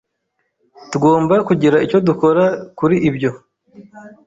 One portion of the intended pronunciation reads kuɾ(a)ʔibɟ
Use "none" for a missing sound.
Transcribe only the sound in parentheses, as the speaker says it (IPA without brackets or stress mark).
i